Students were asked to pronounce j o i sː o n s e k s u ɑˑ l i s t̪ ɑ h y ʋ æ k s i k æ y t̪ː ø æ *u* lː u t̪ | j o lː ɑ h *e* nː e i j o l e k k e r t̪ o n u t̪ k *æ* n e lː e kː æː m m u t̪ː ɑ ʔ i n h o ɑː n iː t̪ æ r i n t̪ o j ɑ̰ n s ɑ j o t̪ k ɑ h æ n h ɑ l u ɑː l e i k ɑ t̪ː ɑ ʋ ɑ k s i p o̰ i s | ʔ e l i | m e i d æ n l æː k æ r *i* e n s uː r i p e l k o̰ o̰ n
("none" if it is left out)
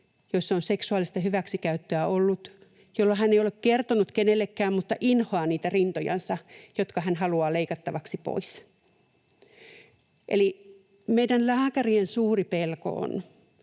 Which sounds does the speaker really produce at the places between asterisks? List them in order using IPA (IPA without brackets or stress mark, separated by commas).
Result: o, æ, e, i